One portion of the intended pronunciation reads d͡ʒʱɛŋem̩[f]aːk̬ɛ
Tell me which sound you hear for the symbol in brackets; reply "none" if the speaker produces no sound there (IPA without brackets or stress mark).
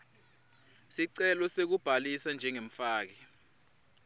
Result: f